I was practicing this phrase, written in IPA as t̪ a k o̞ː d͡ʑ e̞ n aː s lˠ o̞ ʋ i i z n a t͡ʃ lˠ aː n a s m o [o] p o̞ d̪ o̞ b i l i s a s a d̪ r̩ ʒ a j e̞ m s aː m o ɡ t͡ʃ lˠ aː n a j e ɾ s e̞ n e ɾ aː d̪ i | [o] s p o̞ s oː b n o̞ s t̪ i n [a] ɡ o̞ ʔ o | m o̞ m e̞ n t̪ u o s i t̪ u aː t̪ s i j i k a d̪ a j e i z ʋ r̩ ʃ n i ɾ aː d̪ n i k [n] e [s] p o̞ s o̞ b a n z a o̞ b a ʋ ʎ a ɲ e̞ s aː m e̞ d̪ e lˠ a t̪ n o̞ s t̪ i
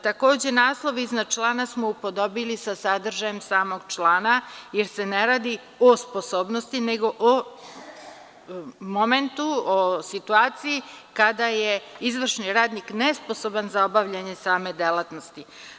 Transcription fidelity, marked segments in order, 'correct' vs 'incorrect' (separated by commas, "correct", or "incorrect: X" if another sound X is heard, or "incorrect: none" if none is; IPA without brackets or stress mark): incorrect: u, correct, incorrect: e, correct, correct